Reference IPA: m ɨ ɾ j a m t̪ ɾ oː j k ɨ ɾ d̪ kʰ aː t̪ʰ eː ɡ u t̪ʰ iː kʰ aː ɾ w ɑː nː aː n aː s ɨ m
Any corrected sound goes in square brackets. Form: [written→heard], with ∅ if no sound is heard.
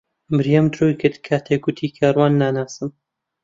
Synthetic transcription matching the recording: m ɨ ɾ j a m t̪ ɾ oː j k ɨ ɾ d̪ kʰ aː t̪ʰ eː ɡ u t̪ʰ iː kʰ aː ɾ w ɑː nː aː n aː s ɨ m